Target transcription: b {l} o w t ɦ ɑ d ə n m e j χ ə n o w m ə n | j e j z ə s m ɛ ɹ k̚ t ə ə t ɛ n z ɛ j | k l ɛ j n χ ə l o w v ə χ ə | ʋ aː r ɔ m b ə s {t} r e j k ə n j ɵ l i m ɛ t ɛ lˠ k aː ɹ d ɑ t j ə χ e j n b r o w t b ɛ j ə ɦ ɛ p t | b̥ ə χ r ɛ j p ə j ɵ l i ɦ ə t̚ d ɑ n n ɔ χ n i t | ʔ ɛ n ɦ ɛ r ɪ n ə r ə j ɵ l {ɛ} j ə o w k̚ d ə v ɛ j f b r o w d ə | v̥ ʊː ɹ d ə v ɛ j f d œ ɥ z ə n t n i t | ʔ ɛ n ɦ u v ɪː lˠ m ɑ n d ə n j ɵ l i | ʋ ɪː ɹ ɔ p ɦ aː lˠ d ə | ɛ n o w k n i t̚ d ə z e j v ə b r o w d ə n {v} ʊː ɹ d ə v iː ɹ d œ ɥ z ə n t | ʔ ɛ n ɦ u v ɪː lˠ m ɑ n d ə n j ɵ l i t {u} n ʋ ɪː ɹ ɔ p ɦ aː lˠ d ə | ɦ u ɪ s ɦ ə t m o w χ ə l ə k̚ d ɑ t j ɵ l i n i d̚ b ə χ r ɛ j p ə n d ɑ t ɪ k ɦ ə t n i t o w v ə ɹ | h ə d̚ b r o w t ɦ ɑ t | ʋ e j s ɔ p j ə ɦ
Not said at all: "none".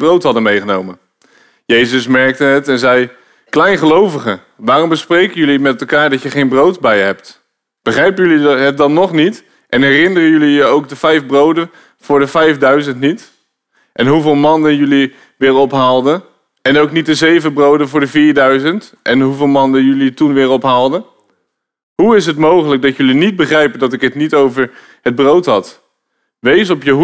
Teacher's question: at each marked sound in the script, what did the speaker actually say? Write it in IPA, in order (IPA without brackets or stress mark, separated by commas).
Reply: r, p, i, v, u